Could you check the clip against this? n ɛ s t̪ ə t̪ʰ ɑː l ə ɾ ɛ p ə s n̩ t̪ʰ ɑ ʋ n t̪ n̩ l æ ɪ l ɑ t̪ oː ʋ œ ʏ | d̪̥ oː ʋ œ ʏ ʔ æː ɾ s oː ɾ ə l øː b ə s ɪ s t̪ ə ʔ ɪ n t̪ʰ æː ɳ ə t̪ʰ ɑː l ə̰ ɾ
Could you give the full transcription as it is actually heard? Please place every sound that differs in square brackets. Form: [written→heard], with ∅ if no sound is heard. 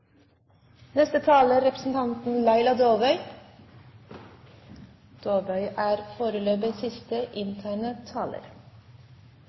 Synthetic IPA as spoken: n ɛ s t̪ ə t̪ʰ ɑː l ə ɾ ɛ p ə s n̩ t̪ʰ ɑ [ʋ→∅] n t̪ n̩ l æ ɪ l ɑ [t̪→d̪] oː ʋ œ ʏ | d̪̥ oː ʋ œ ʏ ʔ æː ɾ [s→f] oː ɾ ə l øː b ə s ɪ s t̪ ə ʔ ɪ n t̪ʰ æː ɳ ə t̪ʰ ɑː l ə̰ ɾ